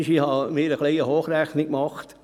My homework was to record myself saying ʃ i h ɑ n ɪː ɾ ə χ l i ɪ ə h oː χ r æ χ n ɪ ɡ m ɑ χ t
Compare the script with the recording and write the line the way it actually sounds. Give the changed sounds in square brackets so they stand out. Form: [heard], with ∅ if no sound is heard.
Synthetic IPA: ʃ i h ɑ [m] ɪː ɾ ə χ l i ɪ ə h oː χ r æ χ n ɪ [k] m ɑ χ t